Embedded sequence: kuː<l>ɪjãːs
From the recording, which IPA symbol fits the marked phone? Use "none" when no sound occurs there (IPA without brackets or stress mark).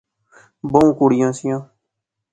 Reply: ɽ